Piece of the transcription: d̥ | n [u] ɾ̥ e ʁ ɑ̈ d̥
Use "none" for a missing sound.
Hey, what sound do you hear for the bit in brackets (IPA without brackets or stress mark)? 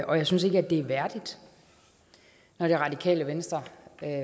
ɒ